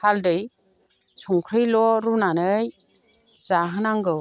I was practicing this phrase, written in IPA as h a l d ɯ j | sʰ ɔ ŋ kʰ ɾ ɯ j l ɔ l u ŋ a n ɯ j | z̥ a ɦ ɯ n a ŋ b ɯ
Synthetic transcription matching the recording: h a l d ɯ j | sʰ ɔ ŋ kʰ ɾ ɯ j l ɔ ɾ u n a n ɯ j | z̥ a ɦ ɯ n a ŋ ɡ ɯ